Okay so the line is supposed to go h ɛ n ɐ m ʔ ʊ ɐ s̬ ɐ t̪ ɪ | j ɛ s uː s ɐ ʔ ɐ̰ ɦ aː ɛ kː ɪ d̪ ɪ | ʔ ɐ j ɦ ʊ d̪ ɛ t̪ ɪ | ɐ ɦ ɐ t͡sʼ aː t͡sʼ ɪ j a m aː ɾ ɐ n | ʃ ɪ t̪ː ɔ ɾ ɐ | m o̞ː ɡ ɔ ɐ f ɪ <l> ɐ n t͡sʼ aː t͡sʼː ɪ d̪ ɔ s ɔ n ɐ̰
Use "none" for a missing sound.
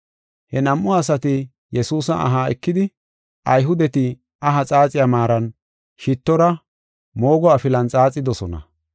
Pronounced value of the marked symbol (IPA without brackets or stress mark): l